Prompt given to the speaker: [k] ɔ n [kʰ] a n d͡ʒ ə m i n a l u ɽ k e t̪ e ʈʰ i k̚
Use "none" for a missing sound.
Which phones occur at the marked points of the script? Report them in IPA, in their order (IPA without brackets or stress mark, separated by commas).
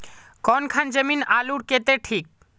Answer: k, kʰ